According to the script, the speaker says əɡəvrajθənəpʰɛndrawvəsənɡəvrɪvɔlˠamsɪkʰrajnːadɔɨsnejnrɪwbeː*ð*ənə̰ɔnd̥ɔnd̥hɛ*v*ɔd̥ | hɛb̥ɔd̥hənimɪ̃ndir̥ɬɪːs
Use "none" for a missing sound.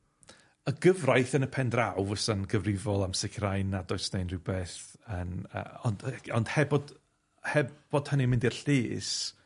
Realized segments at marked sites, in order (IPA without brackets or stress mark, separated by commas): θ, b